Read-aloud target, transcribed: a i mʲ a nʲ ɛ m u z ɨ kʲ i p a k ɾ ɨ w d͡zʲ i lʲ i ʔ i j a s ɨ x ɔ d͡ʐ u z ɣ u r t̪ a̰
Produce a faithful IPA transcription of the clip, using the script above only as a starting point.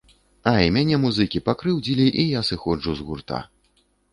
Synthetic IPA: a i mʲ a nʲ ɛ m u z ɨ kʲ i p a k ɾ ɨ w d͡zʲ i lʲ i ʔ i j a s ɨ x ɔ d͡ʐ u z ɣ u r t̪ a̰